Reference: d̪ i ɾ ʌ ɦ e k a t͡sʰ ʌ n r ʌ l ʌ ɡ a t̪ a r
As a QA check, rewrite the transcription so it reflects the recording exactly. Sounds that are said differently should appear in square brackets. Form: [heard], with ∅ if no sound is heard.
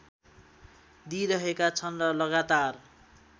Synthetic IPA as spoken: d̪ i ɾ ʌ ɦ e k a t͡sʰ ʌ n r ʌ l ʌ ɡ a t̪ a r